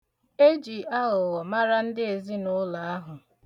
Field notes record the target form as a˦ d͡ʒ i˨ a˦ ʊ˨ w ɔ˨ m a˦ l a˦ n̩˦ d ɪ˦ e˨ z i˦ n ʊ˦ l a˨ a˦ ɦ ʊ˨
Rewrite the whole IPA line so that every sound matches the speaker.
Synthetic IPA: e˦ d͡ʒ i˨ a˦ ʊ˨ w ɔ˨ m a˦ ɾ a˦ n̩˦ d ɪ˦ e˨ z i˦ n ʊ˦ l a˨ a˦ ɦ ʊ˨